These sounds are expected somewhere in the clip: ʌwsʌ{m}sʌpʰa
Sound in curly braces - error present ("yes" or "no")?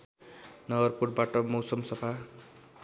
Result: no